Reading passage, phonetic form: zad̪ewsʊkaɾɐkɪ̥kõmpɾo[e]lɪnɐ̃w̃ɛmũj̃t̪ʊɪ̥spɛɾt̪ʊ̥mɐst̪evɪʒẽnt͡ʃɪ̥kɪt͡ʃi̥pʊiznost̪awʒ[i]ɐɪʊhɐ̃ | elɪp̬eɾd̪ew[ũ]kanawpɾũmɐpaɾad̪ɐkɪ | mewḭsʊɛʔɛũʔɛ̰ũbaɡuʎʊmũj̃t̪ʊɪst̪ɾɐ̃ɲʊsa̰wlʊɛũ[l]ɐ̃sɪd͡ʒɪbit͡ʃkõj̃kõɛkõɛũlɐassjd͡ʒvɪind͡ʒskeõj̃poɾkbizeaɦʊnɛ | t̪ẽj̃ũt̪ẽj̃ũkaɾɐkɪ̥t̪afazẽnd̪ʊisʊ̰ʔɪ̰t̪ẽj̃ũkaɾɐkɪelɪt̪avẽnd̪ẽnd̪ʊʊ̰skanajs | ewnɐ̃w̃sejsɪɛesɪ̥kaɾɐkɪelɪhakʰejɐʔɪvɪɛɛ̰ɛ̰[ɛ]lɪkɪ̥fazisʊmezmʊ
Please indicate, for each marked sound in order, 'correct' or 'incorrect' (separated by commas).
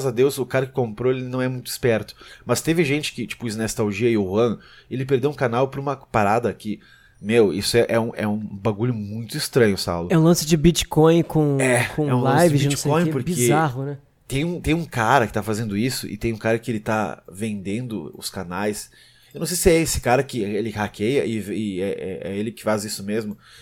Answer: correct, correct, correct, correct, incorrect